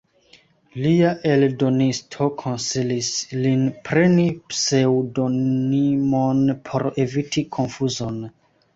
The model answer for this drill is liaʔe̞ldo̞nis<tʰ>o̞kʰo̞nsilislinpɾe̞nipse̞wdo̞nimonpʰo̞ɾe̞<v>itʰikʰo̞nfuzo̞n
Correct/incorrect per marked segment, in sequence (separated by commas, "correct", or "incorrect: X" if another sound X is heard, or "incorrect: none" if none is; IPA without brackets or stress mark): correct, correct